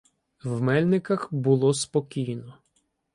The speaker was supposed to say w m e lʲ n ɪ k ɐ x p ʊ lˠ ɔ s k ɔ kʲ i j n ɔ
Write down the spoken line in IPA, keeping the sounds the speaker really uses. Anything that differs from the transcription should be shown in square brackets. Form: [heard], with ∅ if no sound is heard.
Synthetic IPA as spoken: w m [ɛ] lʲ n ɪ k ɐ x [b] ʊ lˠ ɔ s [p] ɔ kʲ i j n ɔ